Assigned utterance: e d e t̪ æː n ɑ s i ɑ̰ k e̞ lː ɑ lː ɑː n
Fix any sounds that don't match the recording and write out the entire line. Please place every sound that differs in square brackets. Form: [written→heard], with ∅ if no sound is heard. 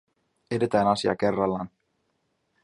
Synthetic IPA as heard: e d e t̪ æː n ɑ s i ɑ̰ k e̞ [lː→rː] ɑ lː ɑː n